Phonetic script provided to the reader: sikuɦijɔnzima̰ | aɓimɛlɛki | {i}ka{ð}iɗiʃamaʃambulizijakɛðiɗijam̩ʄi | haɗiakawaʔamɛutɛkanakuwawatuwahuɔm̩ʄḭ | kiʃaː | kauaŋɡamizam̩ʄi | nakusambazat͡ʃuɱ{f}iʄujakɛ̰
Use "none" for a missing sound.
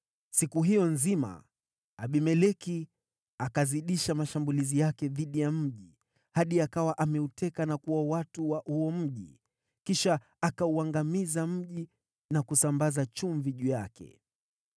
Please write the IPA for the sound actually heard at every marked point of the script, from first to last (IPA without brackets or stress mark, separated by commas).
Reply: a, z, v